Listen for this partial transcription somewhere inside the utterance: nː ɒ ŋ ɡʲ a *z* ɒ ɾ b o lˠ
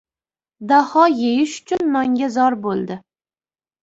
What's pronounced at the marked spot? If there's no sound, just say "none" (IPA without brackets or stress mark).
z